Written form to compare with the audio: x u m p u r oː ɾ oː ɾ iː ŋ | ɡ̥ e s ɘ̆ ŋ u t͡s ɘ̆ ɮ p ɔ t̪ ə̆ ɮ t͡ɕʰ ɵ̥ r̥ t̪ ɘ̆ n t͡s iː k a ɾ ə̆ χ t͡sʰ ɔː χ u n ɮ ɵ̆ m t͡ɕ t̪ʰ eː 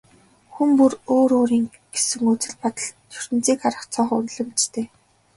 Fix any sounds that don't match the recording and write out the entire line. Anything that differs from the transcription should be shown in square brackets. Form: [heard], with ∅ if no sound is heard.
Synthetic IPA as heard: x u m p u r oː ɾ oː ɾ iː ŋ | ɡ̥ e s ɘ̆ ŋ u t͡s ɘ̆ ɮ p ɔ t̪ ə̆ ɮ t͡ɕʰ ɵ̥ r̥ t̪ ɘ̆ n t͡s iː k a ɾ ə̆ χ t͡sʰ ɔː χ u n ɮ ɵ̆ m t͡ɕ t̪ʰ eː